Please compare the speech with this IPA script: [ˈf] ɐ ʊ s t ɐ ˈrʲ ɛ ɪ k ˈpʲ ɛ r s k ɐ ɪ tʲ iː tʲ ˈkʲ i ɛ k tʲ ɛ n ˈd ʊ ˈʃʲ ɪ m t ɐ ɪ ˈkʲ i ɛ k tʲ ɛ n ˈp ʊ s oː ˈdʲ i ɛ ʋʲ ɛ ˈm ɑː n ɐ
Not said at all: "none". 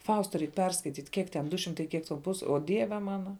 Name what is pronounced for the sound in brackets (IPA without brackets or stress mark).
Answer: f